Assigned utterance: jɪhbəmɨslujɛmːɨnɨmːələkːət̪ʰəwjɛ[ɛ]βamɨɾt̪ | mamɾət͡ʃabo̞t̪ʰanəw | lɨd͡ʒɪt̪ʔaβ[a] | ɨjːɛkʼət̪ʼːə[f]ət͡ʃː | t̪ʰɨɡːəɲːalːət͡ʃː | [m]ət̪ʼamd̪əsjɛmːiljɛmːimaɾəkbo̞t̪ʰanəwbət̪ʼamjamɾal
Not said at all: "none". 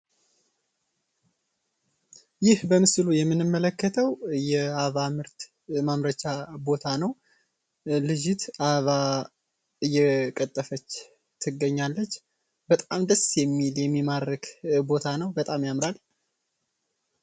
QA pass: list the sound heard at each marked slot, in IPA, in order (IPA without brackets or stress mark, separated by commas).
a, a, f, b